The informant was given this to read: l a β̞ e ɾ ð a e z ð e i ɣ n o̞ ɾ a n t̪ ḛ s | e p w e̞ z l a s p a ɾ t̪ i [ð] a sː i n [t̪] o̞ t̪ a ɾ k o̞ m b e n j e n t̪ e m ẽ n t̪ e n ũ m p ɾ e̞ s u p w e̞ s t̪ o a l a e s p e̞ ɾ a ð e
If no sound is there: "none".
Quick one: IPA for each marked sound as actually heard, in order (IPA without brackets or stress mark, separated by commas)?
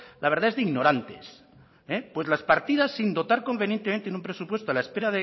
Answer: ð, d̪